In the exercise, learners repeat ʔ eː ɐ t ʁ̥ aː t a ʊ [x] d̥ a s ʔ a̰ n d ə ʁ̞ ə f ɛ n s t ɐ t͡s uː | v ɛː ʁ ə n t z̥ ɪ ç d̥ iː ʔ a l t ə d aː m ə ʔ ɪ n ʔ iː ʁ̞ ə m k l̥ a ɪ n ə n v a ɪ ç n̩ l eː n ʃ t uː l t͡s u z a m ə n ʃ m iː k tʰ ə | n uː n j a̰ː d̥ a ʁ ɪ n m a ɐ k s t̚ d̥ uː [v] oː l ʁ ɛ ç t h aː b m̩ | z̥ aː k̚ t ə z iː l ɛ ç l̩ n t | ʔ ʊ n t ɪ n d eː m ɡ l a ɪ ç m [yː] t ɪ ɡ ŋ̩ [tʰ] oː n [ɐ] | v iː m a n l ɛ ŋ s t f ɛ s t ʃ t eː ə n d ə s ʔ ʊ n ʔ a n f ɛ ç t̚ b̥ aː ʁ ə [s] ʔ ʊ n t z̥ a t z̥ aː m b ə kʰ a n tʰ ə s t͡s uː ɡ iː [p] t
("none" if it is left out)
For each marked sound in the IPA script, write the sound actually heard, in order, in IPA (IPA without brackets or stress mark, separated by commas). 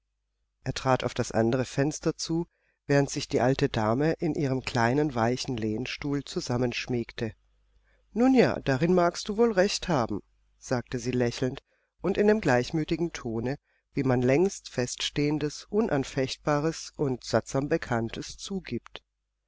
f, v, yː, tʰ, ə, s, p